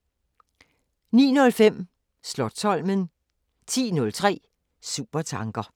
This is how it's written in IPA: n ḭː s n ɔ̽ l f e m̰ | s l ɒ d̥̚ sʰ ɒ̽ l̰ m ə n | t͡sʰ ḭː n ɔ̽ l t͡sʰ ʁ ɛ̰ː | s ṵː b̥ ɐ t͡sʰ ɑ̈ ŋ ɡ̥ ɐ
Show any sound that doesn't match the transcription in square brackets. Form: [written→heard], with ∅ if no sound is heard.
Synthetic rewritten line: n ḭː [s→∅] n ɔ̽ l f e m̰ | s l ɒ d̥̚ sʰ ɒ̽ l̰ m ə n | t͡sʰ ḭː n ɔ̽ l t͡sʰ ʁ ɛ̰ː | s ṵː b̥ ɐ t͡sʰ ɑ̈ ŋ ɡ̥ ɐ